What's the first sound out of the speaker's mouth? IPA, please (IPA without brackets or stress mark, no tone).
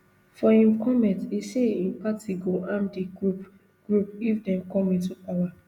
f